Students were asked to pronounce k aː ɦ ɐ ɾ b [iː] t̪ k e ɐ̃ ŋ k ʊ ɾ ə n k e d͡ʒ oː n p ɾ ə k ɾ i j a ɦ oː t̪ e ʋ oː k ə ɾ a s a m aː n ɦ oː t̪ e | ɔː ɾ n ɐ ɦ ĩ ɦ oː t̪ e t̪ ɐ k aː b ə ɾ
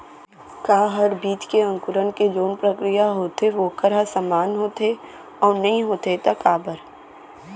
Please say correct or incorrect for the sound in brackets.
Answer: correct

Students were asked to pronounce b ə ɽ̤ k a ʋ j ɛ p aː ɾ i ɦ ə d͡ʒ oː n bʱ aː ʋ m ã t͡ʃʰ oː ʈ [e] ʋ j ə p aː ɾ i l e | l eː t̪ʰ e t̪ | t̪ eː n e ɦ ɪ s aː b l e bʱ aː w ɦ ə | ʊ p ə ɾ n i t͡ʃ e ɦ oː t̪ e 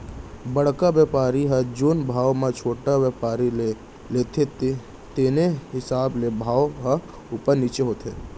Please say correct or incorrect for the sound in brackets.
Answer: incorrect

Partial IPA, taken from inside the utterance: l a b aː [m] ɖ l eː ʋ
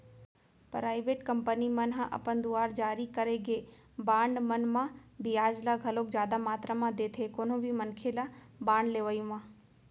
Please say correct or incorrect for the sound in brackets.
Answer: incorrect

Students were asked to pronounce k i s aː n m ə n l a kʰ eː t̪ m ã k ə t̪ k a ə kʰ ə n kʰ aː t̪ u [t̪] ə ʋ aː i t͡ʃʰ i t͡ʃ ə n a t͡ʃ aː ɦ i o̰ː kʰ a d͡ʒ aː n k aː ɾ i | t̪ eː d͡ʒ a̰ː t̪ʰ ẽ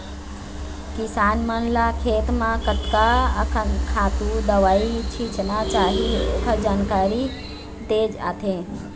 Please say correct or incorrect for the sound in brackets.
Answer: incorrect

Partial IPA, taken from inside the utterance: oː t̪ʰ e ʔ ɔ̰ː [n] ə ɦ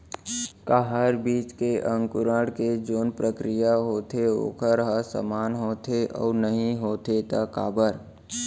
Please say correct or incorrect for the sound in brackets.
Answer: correct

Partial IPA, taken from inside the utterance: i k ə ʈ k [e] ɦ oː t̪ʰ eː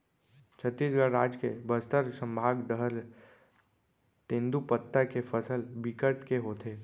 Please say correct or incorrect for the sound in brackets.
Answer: correct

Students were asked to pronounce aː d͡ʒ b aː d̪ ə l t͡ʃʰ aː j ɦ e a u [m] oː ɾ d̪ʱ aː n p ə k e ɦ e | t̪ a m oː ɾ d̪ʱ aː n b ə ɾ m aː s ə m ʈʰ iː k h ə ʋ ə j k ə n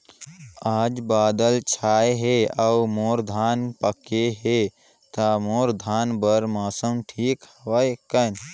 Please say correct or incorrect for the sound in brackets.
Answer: correct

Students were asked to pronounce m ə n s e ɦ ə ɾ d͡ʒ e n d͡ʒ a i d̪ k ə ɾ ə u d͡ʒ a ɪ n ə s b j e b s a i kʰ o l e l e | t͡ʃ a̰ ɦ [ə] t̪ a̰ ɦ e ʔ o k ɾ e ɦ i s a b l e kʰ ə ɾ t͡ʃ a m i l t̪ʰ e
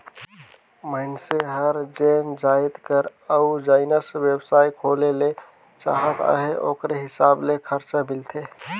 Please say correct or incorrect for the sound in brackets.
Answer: correct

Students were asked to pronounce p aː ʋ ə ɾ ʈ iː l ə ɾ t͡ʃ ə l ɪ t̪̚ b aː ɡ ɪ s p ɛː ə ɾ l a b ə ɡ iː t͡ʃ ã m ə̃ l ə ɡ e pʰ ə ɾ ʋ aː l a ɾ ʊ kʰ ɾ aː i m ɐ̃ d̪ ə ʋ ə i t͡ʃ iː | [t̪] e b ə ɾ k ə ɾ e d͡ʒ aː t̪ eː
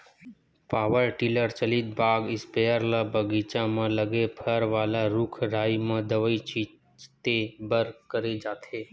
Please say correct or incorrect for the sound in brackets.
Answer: correct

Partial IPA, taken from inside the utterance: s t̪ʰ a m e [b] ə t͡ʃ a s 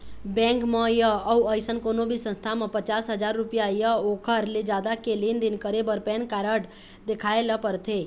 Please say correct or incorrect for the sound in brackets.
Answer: incorrect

